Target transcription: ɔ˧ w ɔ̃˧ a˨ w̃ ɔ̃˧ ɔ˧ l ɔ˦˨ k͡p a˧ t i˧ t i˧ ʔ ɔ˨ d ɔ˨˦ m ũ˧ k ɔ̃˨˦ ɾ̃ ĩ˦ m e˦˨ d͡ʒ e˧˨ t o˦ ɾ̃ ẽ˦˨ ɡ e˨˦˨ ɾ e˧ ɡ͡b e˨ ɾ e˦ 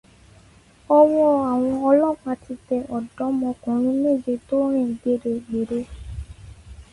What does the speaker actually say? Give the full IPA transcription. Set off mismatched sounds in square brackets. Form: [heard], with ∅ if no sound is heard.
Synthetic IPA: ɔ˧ w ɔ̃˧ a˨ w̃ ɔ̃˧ ɔ˧ l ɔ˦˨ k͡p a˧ t i˧ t [ɛ˧] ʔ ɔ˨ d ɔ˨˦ m [ɔ̃˧] k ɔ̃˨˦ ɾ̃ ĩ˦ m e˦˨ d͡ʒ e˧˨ t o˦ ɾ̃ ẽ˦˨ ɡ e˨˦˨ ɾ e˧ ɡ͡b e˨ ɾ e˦